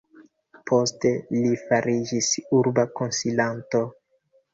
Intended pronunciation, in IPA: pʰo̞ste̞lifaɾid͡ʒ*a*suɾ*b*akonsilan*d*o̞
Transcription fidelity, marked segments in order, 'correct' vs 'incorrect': incorrect: i, correct, incorrect: t

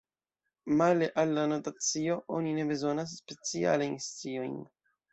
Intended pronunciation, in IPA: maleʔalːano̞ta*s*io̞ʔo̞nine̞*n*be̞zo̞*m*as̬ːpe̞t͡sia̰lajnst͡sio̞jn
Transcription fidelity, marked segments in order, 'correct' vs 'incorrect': incorrect: t͡s, incorrect: none, incorrect: n

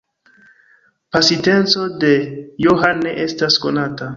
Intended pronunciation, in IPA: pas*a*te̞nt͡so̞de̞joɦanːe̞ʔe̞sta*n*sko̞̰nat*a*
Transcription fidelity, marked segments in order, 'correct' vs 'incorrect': incorrect: i, incorrect: none, correct

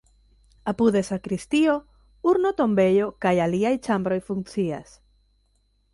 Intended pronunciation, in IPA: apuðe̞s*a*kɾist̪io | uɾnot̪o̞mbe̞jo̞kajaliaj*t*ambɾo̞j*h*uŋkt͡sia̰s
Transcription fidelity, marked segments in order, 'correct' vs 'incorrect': correct, incorrect: t͡ʃ, incorrect: f

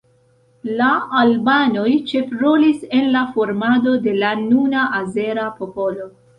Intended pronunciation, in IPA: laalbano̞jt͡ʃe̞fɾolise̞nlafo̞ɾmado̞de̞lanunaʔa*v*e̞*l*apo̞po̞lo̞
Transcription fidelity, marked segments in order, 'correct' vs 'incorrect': incorrect: z, incorrect: ɾ

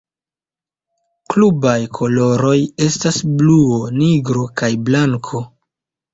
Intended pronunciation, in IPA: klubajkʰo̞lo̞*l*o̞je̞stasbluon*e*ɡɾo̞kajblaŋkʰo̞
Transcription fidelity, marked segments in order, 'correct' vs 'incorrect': incorrect: ɾ, incorrect: i

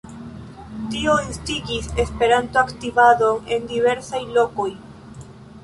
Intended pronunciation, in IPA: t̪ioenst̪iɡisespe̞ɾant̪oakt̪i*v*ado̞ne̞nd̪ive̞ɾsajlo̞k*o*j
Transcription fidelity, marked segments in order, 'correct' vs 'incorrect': correct, correct

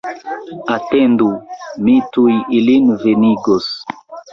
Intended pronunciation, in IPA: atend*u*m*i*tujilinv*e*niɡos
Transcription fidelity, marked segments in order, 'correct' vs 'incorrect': correct, correct, correct

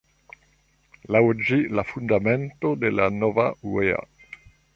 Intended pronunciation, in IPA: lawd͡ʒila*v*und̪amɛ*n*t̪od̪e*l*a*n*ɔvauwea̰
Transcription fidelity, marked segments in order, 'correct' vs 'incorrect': incorrect: f, correct, correct, correct

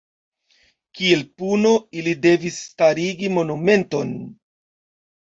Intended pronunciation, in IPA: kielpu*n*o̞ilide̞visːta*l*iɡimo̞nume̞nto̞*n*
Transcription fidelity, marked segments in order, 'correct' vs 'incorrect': correct, incorrect: ɾ, correct

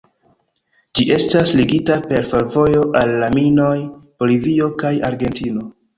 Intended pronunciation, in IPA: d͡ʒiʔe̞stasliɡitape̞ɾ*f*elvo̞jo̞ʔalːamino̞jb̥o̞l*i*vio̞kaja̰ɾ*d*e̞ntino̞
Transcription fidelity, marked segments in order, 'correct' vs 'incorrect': correct, correct, incorrect: ɡ

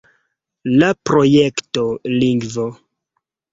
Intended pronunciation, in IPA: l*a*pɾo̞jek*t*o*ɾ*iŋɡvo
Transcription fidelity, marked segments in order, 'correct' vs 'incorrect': correct, correct, incorrect: l

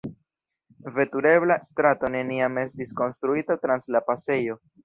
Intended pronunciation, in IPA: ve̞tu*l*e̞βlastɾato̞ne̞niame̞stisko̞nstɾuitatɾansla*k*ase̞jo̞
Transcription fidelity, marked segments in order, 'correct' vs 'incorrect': incorrect: ɾ, incorrect: p

